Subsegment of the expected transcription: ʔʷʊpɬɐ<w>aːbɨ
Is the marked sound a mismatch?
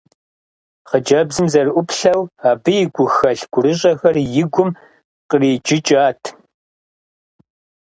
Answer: no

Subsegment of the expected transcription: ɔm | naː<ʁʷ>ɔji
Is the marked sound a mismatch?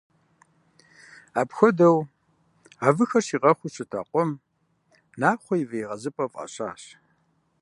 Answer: yes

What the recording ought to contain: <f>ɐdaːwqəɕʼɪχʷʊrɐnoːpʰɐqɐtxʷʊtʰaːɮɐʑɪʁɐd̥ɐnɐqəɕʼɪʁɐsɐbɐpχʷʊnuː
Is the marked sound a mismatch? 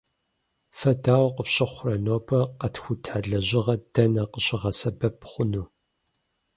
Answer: no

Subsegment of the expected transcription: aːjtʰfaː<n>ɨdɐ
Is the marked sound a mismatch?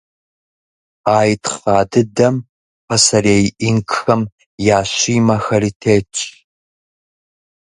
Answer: yes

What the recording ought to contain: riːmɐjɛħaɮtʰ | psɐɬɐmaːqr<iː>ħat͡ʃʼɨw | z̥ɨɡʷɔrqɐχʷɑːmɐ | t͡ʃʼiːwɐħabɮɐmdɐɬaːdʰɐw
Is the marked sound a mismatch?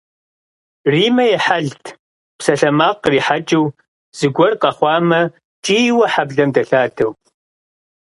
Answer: no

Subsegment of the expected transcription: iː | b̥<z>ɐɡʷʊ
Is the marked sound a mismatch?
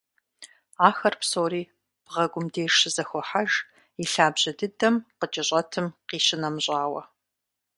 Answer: yes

